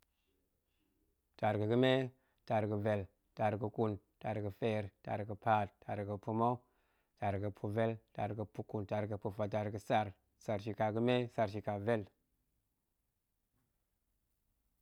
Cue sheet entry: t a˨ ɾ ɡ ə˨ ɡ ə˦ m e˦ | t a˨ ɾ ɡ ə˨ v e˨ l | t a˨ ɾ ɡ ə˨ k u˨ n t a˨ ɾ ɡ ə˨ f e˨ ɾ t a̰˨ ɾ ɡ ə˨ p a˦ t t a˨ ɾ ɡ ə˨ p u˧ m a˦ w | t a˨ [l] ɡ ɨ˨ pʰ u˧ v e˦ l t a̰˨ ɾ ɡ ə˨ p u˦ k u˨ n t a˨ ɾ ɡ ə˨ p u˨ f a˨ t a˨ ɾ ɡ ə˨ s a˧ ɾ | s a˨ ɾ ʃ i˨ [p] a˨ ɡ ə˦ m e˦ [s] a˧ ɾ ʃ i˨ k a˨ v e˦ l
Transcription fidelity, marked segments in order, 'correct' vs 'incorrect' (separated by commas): incorrect, incorrect, correct